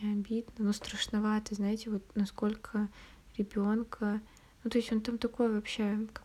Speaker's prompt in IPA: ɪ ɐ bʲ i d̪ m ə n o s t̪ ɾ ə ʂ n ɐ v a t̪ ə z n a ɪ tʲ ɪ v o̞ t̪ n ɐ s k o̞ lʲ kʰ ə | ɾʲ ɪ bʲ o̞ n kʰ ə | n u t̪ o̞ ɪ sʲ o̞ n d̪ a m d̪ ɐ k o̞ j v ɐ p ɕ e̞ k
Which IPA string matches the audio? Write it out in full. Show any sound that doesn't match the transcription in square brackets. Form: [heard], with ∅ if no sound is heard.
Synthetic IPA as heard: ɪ ɐ bʲ i d̪ [n] ə n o s t̪ ɾ ə ʂ n ɐ v a t̪ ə z n a ɪ tʲ ɪ v o̞ t̪ n ɐ s k o̞ lʲ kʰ ə | ɾʲ ɪ bʲ o̞ n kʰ ə | n u t̪ o̞ ɪ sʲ o̞ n [t̪] a m [t̪] ɐ k o̞ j v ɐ p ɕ e̞ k